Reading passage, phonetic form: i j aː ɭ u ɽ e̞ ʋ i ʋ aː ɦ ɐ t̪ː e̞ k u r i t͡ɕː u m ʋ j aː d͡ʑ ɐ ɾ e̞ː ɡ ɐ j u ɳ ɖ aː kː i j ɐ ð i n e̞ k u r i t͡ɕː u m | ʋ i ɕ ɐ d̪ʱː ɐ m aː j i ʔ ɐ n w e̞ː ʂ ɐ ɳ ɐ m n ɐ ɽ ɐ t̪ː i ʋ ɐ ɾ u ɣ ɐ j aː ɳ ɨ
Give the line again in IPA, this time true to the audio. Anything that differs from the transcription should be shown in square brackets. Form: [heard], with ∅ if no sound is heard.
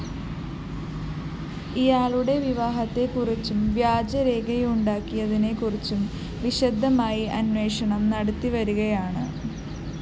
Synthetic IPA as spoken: i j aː ɭ u ɽ e̞ ʋ i ʋ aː ɦ ɐ t̪ː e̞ k u r i t͡ɕː u m ʋ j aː d͡ʑ ɐ ɾ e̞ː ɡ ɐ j u ɳ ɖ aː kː i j ɐ ð i n e̞ k u r i t͡ɕː u m | ʋ i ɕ ɐ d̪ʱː ɐ m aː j i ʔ ɐ n w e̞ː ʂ ɐ ɳ ɐ m n ɐ ɽ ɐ t̪ː i ʋ ɐ ɾ u ɣ ɐ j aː ɳ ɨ